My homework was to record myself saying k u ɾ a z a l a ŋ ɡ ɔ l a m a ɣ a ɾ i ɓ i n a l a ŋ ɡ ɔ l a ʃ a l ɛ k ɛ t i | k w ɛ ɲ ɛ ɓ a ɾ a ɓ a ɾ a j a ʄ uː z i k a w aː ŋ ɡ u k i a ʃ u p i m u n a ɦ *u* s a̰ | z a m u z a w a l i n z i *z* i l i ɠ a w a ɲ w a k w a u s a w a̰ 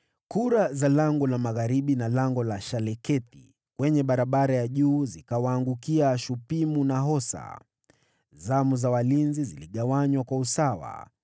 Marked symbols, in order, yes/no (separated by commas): no, yes